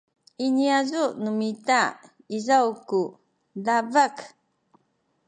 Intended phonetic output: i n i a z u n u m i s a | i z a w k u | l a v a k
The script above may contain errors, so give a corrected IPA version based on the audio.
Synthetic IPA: i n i a z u n u m i t a | i z a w k u | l a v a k